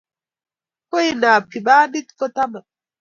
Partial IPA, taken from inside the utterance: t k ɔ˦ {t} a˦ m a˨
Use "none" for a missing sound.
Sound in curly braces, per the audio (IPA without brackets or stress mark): t